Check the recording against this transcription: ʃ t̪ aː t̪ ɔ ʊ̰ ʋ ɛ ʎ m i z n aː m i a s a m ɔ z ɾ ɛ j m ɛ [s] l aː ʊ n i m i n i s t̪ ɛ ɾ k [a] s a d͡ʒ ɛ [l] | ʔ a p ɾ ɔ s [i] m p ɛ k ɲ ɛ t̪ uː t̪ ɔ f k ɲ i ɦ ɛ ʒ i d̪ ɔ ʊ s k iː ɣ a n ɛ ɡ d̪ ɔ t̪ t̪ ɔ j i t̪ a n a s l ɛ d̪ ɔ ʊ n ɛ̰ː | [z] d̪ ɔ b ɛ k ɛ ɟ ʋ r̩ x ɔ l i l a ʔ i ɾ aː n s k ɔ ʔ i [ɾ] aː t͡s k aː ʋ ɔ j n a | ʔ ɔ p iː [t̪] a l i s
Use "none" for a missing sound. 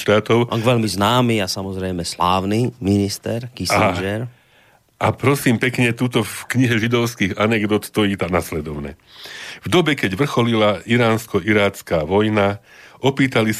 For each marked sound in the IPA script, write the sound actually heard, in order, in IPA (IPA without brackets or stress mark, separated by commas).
s, i, ɾ, iː, v, ɾ, t̪